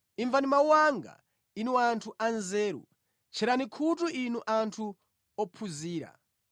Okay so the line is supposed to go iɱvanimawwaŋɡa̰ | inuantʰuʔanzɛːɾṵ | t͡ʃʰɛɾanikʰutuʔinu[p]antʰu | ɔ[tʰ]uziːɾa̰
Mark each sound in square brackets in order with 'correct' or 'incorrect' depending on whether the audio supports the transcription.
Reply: incorrect: ʔ, incorrect: pʰ

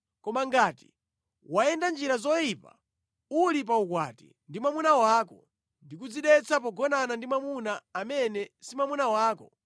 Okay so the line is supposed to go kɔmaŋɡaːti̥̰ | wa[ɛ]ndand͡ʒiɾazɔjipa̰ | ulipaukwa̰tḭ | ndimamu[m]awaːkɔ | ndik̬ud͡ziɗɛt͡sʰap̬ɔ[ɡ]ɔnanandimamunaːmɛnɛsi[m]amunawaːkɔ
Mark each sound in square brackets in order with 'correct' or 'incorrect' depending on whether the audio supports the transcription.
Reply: correct, incorrect: n, correct, correct

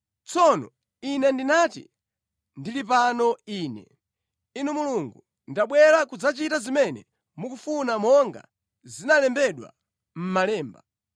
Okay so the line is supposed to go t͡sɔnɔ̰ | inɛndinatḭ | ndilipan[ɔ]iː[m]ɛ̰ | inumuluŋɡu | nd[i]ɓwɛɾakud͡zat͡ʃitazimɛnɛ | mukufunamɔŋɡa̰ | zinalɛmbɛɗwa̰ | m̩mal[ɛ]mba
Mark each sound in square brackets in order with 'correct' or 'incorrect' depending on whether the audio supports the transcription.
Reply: correct, incorrect: n, incorrect: a, incorrect: ɛː

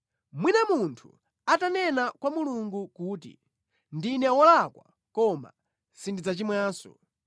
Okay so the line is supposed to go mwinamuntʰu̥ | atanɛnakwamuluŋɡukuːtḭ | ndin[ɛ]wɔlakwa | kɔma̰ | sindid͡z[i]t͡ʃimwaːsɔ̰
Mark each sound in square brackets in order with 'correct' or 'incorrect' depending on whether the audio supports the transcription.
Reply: correct, incorrect: a

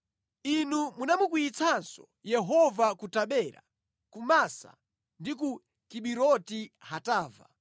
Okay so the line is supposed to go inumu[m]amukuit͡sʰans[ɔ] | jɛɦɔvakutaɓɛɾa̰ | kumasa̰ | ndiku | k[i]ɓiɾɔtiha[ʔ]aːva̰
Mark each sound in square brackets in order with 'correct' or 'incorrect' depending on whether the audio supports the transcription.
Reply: incorrect: n, correct, correct, incorrect: t

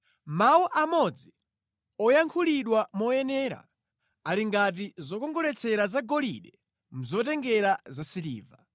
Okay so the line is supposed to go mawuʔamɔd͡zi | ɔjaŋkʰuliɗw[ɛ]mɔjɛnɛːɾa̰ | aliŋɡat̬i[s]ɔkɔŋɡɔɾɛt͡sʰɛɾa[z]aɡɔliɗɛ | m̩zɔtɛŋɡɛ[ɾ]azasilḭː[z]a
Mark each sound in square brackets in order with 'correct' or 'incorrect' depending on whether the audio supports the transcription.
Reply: incorrect: a, incorrect: z, correct, correct, incorrect: v

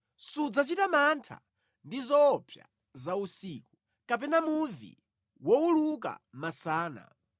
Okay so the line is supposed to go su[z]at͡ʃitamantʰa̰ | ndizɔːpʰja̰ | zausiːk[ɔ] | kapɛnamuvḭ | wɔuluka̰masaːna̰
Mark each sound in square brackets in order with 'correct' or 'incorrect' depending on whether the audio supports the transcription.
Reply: incorrect: d͡z, incorrect: u

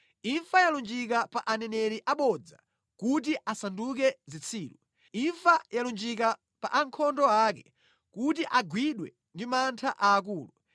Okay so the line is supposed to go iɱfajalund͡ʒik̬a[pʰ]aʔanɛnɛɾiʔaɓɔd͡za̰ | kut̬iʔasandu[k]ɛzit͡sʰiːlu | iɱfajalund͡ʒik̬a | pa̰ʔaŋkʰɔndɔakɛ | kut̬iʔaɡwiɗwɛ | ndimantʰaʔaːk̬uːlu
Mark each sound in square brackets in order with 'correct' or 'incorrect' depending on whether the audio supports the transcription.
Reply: incorrect: p, correct

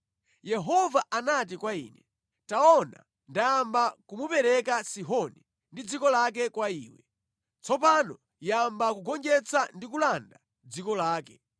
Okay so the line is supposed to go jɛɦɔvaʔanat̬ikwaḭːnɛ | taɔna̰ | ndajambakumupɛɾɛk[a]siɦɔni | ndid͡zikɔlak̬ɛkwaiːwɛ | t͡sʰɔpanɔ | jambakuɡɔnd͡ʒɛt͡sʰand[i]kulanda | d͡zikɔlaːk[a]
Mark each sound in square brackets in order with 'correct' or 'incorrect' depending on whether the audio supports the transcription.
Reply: correct, correct, incorrect: ɛ

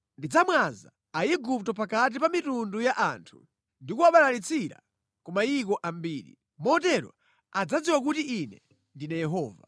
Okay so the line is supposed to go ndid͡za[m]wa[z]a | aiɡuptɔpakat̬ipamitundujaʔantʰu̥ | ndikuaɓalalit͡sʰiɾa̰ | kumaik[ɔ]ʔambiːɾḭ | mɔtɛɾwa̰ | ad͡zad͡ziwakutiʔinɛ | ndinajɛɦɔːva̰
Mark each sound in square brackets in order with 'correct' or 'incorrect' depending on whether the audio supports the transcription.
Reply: correct, correct, correct

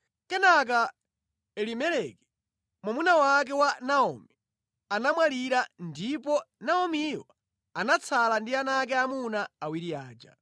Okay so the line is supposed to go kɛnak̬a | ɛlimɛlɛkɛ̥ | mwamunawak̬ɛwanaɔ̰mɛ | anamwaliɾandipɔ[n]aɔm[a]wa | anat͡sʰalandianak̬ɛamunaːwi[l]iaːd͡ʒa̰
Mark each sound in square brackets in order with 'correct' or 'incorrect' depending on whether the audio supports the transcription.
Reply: correct, incorrect: i, incorrect: ɾ

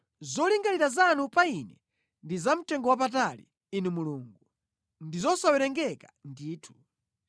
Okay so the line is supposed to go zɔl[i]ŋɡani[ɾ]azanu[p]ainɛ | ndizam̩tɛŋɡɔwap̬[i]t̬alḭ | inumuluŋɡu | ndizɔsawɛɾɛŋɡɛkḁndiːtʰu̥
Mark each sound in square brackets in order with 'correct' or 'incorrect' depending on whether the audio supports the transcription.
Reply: correct, correct, correct, incorrect: a

